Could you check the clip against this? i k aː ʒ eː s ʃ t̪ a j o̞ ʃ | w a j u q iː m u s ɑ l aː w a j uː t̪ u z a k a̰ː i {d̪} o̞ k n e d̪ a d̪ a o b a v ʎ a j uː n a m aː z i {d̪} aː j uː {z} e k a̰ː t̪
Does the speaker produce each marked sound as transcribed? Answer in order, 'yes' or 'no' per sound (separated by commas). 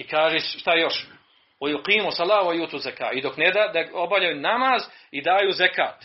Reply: yes, yes, yes